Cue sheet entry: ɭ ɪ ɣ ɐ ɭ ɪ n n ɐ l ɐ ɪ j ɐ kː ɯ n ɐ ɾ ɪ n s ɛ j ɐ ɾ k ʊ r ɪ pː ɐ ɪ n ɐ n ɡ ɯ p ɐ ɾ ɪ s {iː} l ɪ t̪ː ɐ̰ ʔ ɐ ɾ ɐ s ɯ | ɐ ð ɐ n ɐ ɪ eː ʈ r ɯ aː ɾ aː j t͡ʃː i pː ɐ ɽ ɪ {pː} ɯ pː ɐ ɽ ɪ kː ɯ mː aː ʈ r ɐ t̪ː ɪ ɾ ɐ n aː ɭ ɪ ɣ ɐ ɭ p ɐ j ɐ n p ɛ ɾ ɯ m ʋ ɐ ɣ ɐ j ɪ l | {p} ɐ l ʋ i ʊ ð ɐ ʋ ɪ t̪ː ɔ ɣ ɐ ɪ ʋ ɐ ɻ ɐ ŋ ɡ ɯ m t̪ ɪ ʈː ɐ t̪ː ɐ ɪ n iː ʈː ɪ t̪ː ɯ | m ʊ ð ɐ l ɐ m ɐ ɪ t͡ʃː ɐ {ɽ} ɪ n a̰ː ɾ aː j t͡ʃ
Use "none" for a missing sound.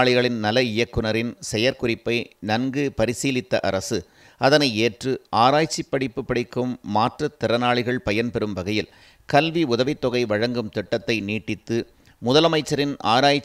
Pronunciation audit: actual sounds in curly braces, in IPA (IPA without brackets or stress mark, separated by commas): iː, pː, k, ɾ